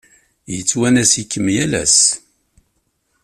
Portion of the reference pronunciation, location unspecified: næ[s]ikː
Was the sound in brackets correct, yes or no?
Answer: yes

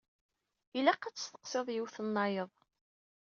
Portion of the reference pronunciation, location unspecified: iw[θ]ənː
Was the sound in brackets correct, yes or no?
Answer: yes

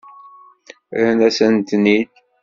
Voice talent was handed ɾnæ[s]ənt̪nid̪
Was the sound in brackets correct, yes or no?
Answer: yes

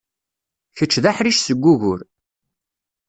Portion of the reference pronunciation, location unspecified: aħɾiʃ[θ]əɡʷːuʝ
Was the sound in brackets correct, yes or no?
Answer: no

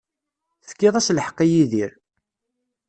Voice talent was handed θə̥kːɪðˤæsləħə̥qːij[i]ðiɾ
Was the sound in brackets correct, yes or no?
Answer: yes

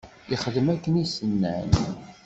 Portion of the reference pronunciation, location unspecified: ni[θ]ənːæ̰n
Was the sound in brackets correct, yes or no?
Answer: no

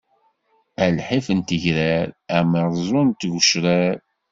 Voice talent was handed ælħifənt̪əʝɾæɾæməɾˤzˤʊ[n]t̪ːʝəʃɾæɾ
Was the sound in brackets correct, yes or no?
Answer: yes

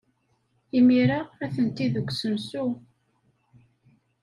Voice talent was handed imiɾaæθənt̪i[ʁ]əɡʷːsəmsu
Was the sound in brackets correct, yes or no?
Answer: no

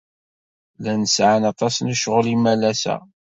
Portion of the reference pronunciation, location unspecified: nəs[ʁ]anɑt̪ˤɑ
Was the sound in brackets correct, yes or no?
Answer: no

